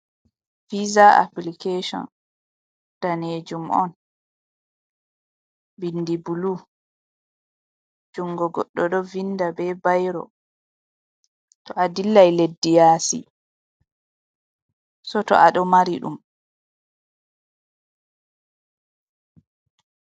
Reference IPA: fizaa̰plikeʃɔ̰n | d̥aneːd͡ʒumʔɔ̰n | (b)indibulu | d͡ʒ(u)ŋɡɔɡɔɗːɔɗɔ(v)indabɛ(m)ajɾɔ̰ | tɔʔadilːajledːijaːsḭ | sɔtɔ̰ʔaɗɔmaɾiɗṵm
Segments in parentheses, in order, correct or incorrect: correct, correct, correct, incorrect: b

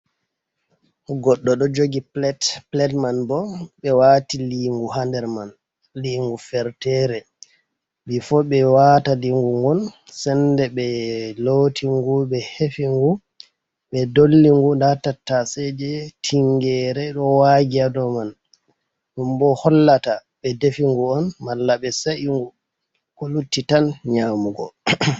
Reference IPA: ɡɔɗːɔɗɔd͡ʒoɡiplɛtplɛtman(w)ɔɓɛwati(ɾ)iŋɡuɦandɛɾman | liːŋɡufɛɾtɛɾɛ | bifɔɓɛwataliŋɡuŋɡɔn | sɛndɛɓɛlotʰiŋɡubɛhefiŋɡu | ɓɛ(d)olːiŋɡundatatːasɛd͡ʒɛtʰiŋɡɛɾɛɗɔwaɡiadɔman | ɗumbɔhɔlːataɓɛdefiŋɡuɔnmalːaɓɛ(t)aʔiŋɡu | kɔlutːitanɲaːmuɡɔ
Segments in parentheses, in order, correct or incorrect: incorrect: b, incorrect: l, correct, incorrect: s

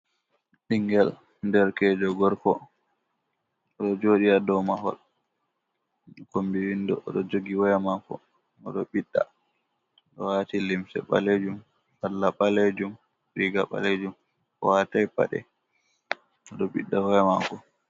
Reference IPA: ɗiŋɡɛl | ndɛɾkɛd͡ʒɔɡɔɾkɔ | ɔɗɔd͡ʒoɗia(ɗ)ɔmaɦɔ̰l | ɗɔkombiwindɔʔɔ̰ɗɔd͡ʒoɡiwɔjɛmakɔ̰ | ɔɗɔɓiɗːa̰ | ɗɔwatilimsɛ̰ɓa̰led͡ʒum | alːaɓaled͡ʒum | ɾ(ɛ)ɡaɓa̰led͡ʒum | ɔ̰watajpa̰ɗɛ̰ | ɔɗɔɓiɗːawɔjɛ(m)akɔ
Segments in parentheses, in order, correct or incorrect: incorrect: d, incorrect: i, correct

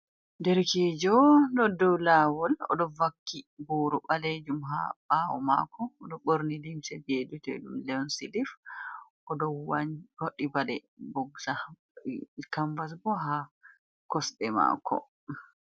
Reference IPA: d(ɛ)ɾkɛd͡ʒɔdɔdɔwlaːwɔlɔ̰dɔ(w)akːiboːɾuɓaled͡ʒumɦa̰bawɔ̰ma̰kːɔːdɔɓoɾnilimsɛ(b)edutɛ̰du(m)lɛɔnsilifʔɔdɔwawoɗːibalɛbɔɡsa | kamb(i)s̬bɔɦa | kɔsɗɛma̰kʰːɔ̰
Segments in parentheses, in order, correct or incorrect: correct, incorrect: v, correct, correct, incorrect: a

